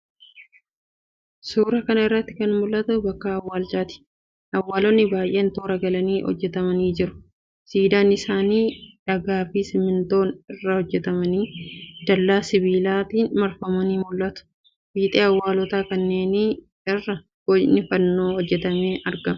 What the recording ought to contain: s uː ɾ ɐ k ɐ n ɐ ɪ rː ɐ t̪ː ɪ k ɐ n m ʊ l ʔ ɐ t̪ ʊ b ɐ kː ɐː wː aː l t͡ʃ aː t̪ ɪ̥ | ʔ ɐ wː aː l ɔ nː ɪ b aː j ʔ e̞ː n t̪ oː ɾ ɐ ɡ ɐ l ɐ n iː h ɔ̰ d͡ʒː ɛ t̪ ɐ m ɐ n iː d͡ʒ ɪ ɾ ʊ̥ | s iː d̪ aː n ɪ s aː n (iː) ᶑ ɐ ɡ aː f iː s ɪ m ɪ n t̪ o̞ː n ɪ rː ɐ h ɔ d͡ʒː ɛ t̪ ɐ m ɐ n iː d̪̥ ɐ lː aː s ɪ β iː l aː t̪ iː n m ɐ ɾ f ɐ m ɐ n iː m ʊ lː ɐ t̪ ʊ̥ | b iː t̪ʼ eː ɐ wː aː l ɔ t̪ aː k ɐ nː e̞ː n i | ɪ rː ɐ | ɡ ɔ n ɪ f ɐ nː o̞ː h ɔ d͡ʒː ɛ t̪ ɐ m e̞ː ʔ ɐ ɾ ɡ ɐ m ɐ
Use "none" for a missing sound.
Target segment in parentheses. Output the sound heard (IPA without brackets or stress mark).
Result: iː